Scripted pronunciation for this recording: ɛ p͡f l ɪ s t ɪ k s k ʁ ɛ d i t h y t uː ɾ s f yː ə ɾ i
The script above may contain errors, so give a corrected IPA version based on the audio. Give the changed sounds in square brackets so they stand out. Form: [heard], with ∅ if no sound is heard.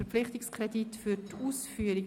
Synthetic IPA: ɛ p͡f l ɪ [χ] t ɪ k s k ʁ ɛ d i t [f] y t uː [∅] s f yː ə ɾ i